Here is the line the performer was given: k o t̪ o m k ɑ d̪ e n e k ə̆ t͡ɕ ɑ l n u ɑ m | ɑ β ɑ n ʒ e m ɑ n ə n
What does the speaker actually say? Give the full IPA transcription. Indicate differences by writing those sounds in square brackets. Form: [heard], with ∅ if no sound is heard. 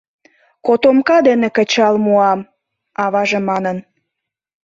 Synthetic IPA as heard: k o t̪ o m k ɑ d̪ e n e k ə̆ t͡ɕ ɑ l [m] u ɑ m | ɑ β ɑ [∅] ʒ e m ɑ n ə n